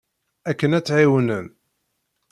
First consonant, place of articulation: velar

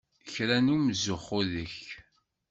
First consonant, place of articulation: palatal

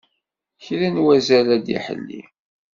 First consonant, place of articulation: palatal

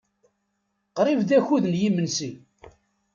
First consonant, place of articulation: uvular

